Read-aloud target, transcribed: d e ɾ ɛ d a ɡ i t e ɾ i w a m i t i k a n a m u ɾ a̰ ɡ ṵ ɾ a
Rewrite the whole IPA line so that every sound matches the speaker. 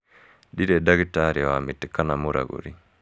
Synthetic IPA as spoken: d i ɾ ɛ d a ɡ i t a ɾ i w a m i t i k a n a m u ɾ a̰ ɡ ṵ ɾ i